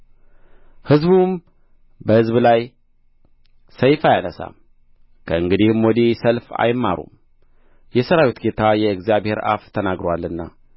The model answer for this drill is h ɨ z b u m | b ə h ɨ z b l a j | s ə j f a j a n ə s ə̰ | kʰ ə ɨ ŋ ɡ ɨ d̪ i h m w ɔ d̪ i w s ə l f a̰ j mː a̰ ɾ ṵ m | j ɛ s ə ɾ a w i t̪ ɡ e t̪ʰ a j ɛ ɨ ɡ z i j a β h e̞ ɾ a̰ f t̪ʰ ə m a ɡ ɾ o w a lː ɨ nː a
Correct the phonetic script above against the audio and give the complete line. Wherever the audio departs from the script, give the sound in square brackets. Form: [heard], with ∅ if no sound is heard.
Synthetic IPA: h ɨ z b u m | b ə h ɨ z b l a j | s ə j f a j a n ə s [a̰] | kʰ ə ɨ ŋ ɡ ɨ d̪ i h m w ɔ d̪ i [∅] s ə l f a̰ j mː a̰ ɾ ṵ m | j ɛ s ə ɾ a w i t̪ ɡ e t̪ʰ a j ɛ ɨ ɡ z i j a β h e̞ ɾ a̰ f t̪ʰ ə [n] a ɡ ɾ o w a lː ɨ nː a